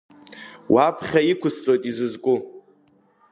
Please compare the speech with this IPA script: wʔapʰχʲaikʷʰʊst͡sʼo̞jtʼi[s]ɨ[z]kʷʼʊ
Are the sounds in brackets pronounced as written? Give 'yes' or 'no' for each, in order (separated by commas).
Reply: no, yes